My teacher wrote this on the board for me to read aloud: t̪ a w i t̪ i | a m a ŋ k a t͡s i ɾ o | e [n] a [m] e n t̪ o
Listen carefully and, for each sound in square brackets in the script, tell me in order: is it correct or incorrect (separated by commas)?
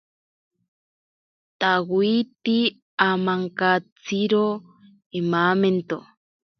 incorrect, correct